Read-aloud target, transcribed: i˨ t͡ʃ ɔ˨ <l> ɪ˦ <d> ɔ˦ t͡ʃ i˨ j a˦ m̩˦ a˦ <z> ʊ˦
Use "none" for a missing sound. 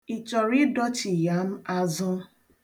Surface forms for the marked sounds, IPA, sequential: ɾ, d, z

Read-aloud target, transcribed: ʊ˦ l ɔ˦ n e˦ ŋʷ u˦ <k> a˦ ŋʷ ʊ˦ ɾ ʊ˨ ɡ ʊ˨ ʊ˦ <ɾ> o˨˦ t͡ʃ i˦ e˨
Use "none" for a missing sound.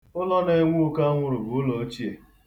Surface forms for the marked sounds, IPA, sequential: k, l

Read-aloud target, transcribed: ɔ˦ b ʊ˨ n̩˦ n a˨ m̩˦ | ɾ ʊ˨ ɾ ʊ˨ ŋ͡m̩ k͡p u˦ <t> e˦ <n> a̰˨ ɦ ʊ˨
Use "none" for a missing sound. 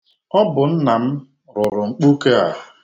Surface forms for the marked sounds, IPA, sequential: k, none

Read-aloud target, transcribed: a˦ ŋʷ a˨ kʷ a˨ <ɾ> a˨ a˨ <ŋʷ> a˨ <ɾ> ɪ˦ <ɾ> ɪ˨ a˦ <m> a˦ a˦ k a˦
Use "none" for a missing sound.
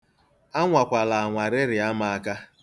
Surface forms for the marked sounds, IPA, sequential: l, ŋʷ, ɾ, ɾ, m

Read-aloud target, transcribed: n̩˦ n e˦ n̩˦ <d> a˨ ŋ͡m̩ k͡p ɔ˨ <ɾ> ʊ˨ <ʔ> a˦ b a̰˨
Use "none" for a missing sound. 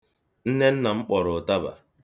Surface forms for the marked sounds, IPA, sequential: n, ɾ, t

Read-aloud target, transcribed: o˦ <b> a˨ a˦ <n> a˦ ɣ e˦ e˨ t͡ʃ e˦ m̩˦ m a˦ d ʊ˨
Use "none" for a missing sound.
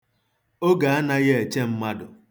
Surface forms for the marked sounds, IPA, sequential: ɡ, n

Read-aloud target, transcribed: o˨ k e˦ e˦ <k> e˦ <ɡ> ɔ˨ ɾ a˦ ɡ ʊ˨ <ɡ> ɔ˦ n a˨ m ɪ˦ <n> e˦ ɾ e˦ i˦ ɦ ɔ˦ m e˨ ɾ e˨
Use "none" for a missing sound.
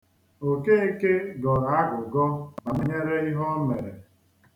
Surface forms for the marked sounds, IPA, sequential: k, ɡ, ɡ, ɲ

